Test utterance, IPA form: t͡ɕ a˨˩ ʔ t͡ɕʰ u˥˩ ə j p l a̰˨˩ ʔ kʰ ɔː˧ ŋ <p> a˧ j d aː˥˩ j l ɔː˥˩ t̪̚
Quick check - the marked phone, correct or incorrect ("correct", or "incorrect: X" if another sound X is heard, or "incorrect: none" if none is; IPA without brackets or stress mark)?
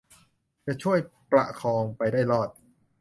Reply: correct